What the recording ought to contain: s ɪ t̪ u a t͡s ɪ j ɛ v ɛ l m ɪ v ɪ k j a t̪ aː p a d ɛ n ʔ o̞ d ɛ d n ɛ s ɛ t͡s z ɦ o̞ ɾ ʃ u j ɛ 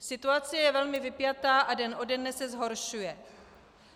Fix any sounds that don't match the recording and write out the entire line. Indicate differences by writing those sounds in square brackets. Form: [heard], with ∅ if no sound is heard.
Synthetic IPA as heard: s ɪ t̪ u a t͡s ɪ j ɛ v ɛ l m ɪ v ɪ [p] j a t̪ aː [ʔ] a d ɛ n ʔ o̞ d ɛ d n ɛ s ɛ [∅] z ɦ o̞ ɾ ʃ u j ɛ

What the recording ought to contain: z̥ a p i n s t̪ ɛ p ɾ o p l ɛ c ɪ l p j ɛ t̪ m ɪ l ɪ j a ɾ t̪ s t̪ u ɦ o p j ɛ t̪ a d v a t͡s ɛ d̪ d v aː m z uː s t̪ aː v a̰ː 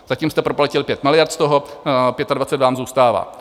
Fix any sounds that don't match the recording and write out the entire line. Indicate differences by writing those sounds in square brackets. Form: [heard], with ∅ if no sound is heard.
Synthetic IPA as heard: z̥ a [c] i [m] s t̪ ɛ p ɾ o p l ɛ c ɪ l p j ɛ t̪ m ɪ l ɪ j a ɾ t̪ s t̪ [o] ɦ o p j ɛ t̪ a d v a t͡s ɛ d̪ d v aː m z uː s t̪ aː v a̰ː

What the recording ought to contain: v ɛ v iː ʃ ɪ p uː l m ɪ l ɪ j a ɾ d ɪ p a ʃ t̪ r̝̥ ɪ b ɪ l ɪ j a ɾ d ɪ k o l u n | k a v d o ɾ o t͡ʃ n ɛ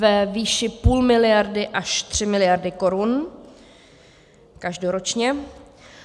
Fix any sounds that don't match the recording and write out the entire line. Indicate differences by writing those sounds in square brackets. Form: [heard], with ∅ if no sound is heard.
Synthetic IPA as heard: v ɛ v iː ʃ ɪ p uː l m ɪ l ɪ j a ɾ d ɪ [ʔ] a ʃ t̪ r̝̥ ɪ [m] ɪ l ɪ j a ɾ d ɪ k o [ɾ] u n | k a [ʒ] d o ɾ o t͡ʃ [ɲ] ɛ

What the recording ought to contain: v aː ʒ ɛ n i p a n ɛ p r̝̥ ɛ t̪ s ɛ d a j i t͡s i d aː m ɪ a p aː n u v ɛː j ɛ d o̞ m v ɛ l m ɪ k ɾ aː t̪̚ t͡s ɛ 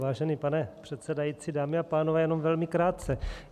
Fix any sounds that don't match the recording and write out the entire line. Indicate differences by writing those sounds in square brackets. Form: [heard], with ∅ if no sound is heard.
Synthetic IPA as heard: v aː ʒ ɛ n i p a n ɛ p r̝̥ ɛ t̪ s ɛ d a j i t͡s i d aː m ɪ a p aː n [o] v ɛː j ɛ [n] o̞ m v ɛ l m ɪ k ɾ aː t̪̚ t͡s ɛ

